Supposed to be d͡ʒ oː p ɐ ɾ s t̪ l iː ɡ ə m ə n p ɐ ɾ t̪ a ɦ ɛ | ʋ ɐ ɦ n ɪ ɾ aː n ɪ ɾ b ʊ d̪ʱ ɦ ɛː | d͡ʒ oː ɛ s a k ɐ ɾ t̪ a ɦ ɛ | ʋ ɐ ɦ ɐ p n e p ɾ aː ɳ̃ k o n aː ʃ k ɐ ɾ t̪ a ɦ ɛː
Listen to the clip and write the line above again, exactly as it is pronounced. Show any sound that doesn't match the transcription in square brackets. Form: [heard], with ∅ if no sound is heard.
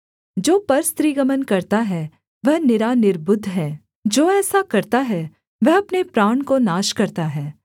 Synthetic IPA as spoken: d͡ʒ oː p ɐ ɾ s t̪ [ɾ] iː ɡ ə m ə n [k] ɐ ɾ t̪ a ɦ ɛ | ʋ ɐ ɦ n ɪ ɾ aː n ɪ ɾ b ʊ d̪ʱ ɦ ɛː | d͡ʒ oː [ɛː] s a k ɐ ɾ t̪ a ɦ ɛ | ʋ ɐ ɦ ɐ p n e p ɾ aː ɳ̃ k o n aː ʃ k ɐ ɾ t̪ a ɦ ɛː